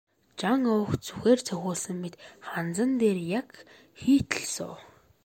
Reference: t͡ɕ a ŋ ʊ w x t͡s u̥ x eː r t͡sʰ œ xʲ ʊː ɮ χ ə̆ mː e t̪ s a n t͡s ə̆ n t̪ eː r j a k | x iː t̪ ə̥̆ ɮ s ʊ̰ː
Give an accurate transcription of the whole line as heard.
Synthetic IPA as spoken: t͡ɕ a ŋ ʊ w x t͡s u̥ x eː r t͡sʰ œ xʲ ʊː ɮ s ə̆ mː e t̪ χ a n t͡s ə̆ n t̪ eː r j a k | x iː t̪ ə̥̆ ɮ s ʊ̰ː